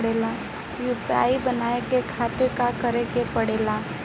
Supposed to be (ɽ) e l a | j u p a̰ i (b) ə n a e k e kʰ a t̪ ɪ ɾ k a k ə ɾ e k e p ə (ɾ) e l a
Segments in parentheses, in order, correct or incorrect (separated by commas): correct, correct, incorrect